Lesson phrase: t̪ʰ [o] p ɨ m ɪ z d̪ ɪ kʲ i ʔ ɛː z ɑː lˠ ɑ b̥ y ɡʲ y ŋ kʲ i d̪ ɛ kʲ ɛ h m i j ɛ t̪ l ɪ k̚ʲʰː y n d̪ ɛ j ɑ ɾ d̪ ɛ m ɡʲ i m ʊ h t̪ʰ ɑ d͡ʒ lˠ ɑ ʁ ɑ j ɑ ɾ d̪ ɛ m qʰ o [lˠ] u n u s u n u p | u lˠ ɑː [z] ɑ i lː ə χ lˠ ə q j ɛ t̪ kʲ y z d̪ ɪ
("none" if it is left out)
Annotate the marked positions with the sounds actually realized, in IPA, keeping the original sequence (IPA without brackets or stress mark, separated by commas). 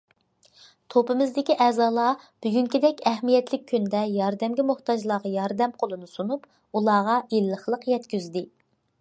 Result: o, lˠ, ʁ